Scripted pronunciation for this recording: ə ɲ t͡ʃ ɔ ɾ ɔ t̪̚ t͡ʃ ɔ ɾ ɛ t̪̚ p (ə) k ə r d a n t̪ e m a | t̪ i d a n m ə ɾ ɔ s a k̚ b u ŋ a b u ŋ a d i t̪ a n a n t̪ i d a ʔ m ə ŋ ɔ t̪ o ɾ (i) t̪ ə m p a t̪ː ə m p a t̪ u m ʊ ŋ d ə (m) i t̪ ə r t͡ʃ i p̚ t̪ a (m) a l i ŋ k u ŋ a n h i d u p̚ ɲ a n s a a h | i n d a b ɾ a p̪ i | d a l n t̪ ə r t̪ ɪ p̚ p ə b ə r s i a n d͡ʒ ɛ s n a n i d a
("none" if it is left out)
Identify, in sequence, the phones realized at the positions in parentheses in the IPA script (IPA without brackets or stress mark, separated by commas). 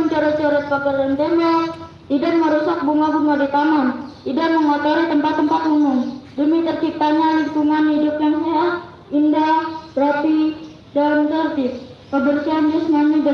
a, i, m, ɲ